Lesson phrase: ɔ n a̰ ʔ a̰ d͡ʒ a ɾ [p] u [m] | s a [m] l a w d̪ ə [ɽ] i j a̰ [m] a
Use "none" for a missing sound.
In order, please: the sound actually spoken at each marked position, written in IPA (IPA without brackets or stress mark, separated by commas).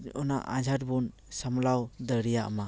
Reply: b, n, m, ɾ, m